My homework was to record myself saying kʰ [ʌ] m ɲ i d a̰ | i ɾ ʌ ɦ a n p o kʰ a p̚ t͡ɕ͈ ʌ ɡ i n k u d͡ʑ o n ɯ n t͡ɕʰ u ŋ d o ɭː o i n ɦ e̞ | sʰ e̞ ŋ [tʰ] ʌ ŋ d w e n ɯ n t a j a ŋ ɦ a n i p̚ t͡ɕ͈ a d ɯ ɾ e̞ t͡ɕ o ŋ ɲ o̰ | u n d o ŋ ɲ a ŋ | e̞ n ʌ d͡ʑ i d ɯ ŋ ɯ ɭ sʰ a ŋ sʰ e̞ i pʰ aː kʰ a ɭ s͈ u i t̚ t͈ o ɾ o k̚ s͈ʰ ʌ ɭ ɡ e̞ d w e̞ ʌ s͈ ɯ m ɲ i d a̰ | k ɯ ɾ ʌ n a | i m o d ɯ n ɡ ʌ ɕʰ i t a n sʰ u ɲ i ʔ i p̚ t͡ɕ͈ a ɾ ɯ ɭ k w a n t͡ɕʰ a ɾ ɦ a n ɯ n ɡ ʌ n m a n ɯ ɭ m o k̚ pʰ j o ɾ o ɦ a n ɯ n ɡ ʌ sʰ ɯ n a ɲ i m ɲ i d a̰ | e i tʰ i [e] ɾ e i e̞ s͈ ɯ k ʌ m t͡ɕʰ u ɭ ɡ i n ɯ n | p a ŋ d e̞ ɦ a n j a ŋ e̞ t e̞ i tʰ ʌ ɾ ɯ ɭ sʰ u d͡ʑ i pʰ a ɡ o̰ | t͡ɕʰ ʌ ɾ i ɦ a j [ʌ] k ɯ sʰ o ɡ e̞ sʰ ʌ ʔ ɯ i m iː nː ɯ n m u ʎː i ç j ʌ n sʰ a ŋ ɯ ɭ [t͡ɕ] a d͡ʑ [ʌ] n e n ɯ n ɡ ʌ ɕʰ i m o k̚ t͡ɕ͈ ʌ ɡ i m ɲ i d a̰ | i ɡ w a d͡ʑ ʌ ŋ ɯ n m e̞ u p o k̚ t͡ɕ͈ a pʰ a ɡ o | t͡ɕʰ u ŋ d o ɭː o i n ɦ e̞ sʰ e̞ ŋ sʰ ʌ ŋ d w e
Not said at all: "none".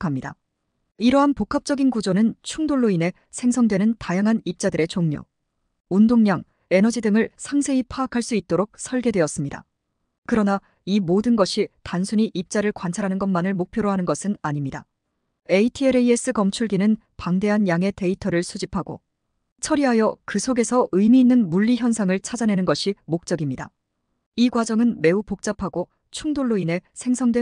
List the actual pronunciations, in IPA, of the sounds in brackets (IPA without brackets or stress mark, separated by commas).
a, sʰ, e, ʌ, t͡ɕʰ, a